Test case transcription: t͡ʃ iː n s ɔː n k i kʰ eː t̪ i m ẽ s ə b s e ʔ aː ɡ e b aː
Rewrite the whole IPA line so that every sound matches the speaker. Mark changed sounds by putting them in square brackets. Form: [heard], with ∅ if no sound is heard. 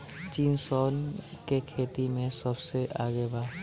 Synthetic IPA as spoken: t͡ʃ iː n s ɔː n k [e] kʰ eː t̪ i m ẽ s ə b s e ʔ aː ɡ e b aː